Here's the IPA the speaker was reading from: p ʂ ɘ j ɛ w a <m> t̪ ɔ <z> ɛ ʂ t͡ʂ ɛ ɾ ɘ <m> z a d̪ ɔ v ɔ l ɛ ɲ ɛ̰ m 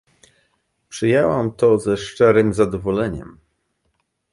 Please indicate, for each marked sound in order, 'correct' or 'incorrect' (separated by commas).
correct, correct, correct